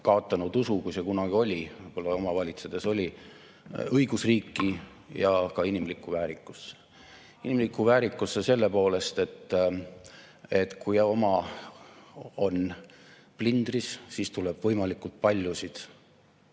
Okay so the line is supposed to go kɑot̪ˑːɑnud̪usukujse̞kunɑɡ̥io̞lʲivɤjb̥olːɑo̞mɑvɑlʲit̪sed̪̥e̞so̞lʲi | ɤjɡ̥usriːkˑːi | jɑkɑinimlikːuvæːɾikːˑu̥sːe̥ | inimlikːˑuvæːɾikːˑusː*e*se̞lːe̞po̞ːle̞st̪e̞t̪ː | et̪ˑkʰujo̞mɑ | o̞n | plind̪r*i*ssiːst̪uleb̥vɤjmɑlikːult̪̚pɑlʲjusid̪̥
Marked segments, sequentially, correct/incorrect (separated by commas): correct, correct